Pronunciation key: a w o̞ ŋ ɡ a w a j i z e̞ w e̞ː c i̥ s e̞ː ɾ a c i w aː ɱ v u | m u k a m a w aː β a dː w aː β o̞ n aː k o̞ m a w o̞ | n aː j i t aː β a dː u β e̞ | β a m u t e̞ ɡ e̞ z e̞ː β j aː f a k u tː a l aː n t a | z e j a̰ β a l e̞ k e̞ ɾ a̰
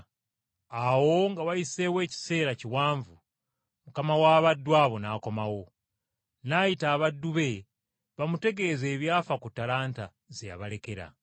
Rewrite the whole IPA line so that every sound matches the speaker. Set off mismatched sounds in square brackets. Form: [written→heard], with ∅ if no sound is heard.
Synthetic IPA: a w o̞ ŋ ɡ a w a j i [z→s] e̞ w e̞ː c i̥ s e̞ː ɾ a c i w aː ɱ v u | m u k a m a w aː β a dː w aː β o̞ n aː k o̞ m a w o̞ | n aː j i t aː β a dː u β e̞ | β a m u t e̞ ɡ e̞ z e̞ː β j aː f a k u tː a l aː n t a | z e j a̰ β a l e̞ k e̞ ɾ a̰